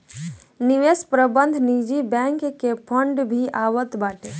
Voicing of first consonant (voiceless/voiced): voiced